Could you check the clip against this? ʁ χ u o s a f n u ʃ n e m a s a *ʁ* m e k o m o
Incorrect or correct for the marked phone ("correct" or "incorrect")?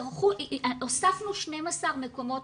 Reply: correct